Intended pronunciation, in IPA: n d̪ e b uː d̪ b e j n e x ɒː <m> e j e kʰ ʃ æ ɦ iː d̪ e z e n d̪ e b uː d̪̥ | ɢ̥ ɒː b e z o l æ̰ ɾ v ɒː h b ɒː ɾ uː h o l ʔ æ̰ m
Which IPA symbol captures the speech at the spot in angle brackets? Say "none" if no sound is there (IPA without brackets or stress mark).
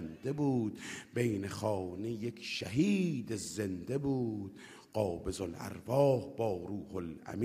n